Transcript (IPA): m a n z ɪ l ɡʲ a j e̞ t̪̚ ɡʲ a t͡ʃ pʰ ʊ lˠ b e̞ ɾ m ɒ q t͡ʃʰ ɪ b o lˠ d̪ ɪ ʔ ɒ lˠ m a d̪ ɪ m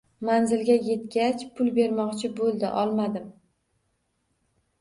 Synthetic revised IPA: m a n z ɪ l ɡʲ a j e̞ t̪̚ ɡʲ a t͡ʃ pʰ ʊ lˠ b e̞ ɾ m ɒ q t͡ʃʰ ɪ b o lˠ d̪ ɪ ʔ ɒ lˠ m a d̪ ɪ m